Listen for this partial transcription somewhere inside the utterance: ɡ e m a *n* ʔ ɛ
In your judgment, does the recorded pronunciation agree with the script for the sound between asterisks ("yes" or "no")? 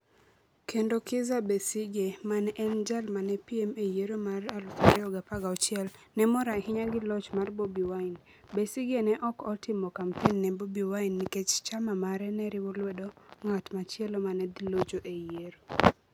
yes